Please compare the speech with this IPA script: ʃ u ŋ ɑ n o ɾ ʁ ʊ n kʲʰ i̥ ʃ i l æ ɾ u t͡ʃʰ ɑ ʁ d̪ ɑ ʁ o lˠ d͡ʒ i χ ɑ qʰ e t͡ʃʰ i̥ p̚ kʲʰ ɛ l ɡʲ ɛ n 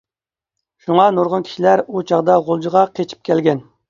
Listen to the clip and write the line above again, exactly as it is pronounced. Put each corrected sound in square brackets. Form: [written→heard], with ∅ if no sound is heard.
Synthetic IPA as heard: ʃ u ŋ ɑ n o ɾ ʁ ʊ n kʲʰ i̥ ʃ i l æ ɾ u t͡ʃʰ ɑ ʁ d̪ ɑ ʁ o lˠ d͡ʒ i [χ→ʁ] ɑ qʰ e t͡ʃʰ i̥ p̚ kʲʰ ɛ l ɡʲ ɛ n